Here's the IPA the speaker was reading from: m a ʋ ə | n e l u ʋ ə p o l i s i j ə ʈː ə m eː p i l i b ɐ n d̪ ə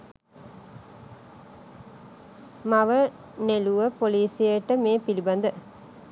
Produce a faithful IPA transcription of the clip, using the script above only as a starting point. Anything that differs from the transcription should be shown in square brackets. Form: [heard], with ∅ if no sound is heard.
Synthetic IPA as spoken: m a ʋ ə | n e l u ʋ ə p o l [iː] s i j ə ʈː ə m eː p i l i b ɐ n d̪ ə